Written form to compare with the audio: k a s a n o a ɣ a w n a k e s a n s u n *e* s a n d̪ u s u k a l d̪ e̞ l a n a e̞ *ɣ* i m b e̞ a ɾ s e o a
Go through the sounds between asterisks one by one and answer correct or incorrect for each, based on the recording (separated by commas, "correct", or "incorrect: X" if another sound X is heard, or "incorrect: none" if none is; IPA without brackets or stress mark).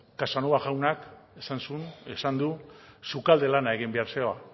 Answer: correct, correct